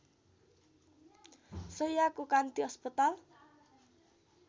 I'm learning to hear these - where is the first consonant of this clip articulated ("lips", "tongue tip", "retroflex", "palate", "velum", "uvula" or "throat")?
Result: tongue tip